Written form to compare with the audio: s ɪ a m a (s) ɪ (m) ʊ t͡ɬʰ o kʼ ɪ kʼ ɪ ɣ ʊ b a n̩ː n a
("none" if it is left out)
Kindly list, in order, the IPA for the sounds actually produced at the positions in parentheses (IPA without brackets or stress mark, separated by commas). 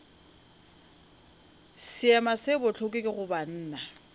s, b